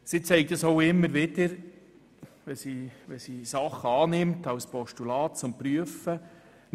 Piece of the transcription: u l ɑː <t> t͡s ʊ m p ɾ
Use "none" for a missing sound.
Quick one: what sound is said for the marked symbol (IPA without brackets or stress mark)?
t